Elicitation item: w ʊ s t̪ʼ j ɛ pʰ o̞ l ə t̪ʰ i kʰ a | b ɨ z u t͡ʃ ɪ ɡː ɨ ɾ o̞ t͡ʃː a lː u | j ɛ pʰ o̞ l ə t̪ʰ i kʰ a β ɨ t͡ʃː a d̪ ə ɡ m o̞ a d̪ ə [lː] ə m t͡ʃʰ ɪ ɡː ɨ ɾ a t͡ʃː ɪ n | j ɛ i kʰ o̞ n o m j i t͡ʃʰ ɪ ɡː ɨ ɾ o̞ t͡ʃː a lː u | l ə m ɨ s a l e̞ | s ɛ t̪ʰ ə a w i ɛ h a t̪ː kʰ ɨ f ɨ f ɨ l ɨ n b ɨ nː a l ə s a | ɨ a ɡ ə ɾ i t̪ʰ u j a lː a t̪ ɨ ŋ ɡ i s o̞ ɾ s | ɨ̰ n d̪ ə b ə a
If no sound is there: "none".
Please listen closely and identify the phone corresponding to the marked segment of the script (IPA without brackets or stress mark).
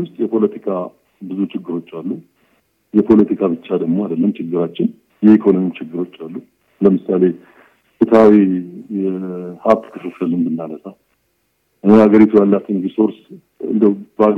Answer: lː